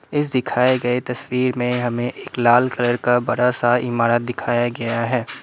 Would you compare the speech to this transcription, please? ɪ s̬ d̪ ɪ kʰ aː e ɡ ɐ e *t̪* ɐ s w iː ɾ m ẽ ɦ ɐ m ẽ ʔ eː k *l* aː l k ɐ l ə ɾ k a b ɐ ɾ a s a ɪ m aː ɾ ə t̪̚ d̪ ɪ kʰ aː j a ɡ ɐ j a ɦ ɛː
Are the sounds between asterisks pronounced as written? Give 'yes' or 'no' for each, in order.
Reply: yes, yes

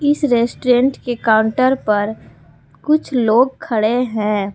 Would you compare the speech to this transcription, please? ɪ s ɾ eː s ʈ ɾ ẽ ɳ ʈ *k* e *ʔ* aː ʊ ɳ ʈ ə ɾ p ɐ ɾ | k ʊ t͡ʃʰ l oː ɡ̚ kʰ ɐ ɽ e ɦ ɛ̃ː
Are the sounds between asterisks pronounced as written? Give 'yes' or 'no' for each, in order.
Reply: yes, no

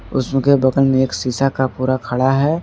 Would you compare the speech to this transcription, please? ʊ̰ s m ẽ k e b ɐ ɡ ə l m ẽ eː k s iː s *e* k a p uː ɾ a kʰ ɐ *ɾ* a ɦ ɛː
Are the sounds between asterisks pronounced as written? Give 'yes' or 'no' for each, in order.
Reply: no, no

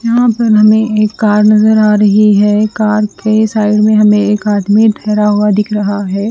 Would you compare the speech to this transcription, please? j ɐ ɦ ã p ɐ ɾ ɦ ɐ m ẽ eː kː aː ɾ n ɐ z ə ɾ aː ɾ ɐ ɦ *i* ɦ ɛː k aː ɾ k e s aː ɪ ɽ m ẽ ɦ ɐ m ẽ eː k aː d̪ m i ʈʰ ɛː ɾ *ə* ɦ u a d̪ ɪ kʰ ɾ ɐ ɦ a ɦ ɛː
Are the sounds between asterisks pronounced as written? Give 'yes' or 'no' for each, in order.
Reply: yes, no

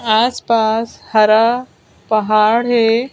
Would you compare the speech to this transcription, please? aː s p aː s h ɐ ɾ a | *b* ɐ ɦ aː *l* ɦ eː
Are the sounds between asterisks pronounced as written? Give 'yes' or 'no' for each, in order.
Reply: no, no

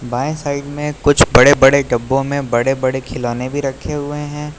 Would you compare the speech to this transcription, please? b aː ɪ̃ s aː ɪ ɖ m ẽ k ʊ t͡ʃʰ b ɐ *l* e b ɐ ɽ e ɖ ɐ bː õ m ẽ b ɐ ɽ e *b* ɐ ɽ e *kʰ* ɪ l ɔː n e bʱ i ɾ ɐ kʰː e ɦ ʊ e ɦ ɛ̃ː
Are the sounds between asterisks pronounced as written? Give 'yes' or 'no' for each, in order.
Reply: no, yes, yes

